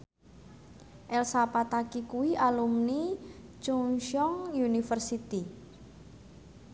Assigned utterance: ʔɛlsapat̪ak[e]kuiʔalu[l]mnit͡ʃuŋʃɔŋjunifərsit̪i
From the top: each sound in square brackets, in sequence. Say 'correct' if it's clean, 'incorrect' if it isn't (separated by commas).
incorrect, incorrect